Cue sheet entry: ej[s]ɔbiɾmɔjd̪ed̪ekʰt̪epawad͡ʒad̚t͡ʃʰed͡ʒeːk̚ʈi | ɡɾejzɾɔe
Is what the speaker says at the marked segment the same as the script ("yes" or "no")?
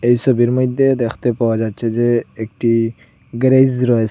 yes